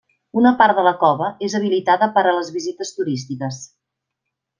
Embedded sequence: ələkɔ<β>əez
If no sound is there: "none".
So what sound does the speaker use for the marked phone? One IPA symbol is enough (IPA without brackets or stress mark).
β